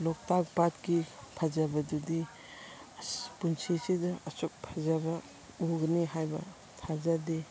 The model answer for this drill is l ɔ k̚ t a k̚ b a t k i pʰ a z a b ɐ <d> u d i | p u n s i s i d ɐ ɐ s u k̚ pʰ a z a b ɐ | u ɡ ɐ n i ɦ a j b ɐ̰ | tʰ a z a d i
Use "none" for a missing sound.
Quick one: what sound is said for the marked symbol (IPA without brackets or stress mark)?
d